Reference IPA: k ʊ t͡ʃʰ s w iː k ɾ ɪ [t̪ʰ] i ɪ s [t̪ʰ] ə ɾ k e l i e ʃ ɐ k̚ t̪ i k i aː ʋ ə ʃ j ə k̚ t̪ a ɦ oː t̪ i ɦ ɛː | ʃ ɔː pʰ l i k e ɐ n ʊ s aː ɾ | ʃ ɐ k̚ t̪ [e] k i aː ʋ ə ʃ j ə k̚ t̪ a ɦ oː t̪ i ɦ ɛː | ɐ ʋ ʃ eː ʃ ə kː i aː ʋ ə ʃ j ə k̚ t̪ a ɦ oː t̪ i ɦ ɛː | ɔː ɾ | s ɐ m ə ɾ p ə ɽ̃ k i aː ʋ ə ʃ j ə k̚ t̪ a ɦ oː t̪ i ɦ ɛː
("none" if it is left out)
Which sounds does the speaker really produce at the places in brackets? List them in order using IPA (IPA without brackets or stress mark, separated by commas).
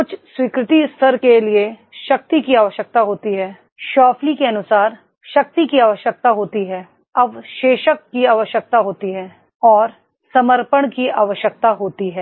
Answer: t̪, t̪ʰ, i